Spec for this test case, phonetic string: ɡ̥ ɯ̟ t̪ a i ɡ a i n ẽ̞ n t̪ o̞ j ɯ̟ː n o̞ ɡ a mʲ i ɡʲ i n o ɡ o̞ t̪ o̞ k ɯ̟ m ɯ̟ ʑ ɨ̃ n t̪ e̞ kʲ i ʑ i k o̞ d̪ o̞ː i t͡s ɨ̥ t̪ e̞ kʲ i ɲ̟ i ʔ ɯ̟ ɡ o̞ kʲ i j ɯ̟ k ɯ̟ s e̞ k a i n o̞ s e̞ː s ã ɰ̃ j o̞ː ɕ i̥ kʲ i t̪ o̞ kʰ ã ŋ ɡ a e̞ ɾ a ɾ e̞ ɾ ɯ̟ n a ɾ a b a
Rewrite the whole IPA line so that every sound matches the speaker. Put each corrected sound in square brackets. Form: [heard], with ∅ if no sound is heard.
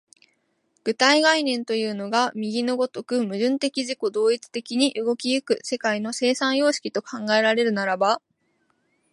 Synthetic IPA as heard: ɡ̥ ɯ̟ t̪ a i ɡ a i n ẽ̞ n t̪ o̞ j ɯ̟ː n o̞ ɡ a mʲ i ɡʲ i n o ɡ o̞ t̪ o̞ k ɯ̟ m ɯ̟ ʑ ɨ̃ n t̪ e̞ kʲ i ʑ i k o̞ d̪ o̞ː i t͡s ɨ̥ t̪ e̞ kʲ i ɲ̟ i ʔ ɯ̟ ɡ o̞ kʲ i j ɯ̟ k ɯ̟ s e̞ k a i n o̞ s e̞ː s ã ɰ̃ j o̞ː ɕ i̥ kʲ i t̪ o̞ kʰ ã ŋ ɡ a e̞ ɾ a ɾ e̞ ɾ ɯ̟ n a ɾ a b a